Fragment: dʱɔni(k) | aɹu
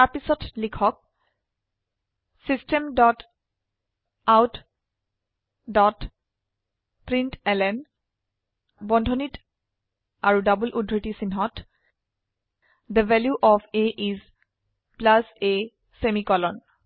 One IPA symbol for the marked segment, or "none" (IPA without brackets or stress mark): t